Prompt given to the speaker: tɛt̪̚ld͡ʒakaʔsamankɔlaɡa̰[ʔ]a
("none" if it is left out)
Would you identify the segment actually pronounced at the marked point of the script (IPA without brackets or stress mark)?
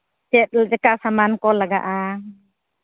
ʔ